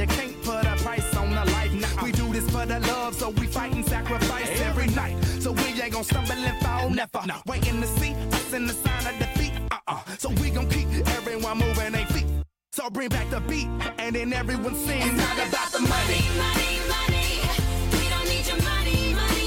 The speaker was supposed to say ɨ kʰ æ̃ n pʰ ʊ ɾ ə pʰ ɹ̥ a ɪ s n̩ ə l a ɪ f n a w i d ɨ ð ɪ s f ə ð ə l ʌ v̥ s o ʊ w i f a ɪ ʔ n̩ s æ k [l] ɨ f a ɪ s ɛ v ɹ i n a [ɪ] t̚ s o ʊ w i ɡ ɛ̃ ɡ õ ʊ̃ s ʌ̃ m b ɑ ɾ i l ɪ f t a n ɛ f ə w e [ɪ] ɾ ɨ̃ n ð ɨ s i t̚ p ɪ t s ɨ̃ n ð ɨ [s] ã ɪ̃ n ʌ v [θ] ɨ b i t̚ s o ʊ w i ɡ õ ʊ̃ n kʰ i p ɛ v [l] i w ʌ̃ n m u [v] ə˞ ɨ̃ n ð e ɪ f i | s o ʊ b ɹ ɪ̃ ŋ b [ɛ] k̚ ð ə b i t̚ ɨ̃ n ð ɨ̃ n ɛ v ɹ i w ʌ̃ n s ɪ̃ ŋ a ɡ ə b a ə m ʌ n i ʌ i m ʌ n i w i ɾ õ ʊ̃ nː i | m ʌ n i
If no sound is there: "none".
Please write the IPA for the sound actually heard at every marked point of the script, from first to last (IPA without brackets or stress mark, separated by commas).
ɹ, ɪ, ɪ, s, ð, ɹ, v, æ